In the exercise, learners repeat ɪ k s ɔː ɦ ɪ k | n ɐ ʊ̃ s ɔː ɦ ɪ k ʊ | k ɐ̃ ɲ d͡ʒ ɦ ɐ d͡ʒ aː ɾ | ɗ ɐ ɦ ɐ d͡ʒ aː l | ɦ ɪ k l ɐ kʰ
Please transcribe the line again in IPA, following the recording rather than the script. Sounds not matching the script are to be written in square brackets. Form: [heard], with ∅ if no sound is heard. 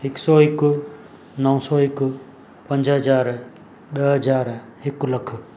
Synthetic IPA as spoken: ɪ k s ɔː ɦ ɪ k | n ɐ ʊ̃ s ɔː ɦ ɪ k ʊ | [p] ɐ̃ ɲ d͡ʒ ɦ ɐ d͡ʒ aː ɾ | ɗ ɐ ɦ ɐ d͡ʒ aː [ɾ] | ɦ ɪ k l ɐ kʰ